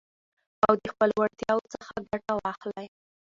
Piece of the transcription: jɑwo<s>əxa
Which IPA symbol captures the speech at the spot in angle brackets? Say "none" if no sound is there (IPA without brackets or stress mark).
t͡s